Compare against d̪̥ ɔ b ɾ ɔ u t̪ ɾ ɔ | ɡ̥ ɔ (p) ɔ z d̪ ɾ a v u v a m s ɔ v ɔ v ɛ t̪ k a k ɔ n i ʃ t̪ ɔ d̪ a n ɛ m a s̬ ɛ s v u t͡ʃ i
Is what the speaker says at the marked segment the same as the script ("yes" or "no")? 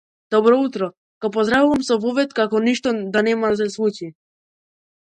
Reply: yes